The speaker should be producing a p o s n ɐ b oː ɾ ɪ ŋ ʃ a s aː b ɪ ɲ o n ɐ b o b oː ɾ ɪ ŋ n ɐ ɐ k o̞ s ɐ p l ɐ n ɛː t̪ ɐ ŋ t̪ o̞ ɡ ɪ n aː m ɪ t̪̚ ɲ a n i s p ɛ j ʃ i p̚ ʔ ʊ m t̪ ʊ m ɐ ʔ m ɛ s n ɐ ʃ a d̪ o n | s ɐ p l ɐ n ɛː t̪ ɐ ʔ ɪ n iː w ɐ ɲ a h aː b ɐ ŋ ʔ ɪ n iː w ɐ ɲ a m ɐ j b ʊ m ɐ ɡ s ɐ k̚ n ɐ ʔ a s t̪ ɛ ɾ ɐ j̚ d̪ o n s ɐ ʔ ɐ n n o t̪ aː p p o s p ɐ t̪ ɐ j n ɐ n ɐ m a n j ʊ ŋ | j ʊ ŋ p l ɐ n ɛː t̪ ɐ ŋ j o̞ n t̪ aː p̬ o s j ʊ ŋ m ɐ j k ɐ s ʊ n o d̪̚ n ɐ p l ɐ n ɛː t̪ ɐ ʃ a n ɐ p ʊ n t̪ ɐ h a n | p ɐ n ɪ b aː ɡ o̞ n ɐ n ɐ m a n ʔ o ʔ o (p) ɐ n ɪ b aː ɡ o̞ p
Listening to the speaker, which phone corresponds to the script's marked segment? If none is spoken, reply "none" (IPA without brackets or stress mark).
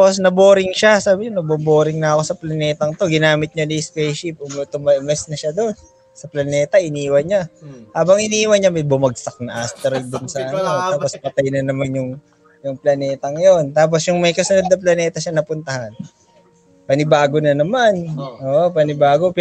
p